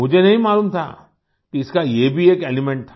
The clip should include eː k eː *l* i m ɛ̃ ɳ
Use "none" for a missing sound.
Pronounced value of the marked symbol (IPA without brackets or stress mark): l